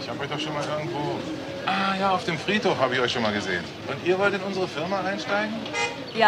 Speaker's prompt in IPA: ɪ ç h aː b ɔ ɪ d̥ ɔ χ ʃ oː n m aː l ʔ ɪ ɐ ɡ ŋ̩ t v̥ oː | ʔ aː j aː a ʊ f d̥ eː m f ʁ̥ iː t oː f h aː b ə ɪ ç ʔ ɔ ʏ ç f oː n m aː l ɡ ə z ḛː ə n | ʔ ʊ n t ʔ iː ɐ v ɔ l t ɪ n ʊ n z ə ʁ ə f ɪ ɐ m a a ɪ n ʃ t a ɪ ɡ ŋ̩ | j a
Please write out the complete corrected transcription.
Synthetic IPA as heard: ɪ ç h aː b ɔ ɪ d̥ ɔ χ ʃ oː n m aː l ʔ ɪ ɐ ɡ ŋ̩ t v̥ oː | ʔ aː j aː a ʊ f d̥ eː m f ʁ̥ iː t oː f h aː b ə ɪ ç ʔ ɔ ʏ ç ʃ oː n m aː l ɡ ə z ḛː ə n | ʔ ʊ n t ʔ iː ɐ v ɔ l t ɪ n ʊ n z ə ʁ ə f ɪ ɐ m a a ɪ n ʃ t a ɪ ɡ ŋ̩ | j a